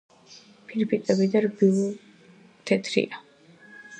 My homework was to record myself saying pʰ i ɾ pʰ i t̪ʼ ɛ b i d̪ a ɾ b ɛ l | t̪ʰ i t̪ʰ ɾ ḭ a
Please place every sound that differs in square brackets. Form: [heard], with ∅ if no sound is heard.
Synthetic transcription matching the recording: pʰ i ɾ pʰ i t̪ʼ ɛ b i d̪ a ɾ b [i] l | t̪ʰ [ɛ] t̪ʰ ɾ ḭ a